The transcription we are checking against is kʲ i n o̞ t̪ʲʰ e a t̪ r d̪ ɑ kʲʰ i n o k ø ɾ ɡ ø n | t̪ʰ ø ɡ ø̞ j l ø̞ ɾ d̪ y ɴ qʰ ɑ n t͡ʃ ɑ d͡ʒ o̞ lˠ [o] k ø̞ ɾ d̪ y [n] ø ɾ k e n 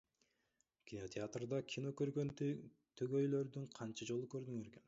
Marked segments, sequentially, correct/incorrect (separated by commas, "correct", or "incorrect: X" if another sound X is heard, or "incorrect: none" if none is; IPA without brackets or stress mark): incorrect: u, incorrect: ŋ